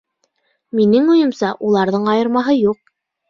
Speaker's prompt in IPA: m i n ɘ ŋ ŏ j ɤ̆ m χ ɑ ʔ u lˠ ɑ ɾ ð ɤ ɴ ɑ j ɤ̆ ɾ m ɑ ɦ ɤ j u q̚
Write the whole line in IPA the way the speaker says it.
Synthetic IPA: m i n ɘ ŋ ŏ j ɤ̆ m s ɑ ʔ u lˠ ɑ ɾ ð ɤ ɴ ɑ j ɤ̆ ɾ m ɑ ɦ ɤ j u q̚